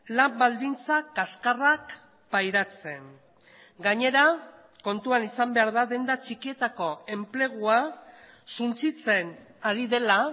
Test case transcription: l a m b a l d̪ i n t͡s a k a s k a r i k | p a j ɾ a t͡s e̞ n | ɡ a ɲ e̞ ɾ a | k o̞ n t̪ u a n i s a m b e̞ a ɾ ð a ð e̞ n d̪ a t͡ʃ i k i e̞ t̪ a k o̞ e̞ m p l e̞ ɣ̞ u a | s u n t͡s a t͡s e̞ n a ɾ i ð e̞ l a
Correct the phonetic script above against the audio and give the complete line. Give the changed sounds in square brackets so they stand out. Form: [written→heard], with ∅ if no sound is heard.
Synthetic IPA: l a m b a l d̪ i n t͡s a k a s k a r [i→a] k | p a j ɾ a t͡s e̞ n | ɡ a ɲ e̞ ɾ a | k o̞ n t̪ u a n i s a m b e̞ a ɾ ð a ð e̞ n d̪ a t͡ʃ i k i e̞ t̪ a k o̞ e̞ m p l e̞ ɣ̞ u a | s u n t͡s [a→i] t͡s e̞ n a ɾ i ð e̞ l a